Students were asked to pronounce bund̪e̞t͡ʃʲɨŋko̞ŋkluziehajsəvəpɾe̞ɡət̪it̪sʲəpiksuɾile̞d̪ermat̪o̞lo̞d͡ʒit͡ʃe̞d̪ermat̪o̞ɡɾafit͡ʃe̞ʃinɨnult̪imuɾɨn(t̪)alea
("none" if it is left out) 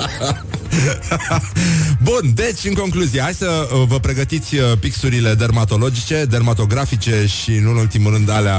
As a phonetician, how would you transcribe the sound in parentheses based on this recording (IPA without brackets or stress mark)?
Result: d̪